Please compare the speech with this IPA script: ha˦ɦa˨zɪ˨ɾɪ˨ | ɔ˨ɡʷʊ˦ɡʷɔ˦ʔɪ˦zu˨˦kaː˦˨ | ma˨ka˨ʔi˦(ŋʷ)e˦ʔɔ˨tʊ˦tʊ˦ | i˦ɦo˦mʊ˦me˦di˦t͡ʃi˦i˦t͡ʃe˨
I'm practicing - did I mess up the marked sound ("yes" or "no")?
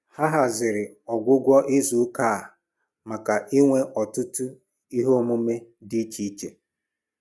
no